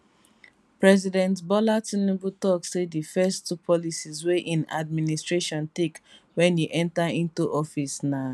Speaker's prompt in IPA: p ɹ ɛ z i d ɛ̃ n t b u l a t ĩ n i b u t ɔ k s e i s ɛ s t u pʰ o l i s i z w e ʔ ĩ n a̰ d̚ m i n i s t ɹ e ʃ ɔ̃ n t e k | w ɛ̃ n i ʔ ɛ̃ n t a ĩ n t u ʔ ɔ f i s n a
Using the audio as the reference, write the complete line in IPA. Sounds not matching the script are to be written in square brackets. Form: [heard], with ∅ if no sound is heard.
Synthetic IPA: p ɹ ɛ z i d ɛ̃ n t b [ɔ] l a t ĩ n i b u t ɔ k s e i [f] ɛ s t u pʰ [ɔ] l i s i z w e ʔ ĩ n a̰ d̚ m i n i s t ɹ e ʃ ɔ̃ n t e k | w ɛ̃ n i ʔ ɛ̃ n t a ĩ n t u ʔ ɔ f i s n a